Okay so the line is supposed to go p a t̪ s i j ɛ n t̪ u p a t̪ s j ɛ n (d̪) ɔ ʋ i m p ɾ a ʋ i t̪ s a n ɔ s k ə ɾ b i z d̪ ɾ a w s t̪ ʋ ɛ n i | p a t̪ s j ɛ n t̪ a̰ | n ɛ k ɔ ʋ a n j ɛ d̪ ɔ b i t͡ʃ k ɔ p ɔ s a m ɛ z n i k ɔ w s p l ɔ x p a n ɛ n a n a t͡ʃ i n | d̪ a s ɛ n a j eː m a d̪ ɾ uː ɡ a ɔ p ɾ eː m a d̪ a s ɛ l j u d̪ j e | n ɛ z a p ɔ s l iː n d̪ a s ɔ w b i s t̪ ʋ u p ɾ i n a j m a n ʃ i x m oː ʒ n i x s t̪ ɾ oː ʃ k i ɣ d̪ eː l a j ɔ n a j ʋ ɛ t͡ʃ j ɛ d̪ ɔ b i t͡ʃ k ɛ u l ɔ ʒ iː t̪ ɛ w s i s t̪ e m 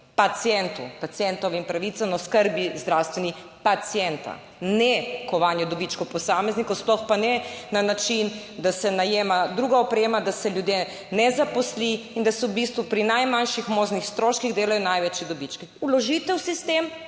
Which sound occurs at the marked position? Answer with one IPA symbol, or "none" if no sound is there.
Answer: t̪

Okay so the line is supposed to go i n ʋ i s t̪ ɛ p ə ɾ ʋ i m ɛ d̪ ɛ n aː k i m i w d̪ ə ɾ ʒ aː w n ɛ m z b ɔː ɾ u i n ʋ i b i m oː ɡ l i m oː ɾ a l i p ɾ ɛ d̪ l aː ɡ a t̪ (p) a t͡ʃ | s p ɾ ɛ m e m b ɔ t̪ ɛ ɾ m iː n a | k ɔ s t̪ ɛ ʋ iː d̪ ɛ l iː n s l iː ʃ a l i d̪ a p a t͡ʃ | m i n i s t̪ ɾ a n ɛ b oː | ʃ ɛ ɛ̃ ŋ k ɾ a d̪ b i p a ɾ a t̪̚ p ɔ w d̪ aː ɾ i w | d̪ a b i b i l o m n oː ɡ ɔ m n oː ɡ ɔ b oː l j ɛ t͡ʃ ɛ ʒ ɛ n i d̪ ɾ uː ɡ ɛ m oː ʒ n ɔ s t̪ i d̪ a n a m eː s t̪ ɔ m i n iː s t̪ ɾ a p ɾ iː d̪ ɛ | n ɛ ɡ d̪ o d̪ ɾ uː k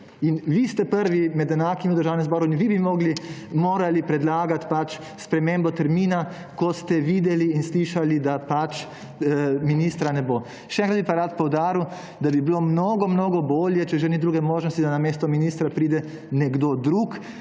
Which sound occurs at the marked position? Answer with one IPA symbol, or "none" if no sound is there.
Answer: p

